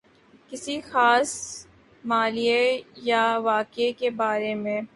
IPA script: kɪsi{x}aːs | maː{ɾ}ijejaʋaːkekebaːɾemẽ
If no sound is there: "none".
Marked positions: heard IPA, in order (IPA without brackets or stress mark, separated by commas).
x, l